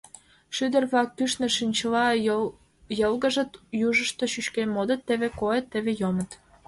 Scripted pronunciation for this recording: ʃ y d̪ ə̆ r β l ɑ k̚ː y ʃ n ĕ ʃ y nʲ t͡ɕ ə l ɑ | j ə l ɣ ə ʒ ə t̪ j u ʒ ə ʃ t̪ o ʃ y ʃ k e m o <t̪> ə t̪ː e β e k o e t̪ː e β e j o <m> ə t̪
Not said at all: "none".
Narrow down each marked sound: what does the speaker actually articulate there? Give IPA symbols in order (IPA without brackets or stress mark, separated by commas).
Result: d̪, m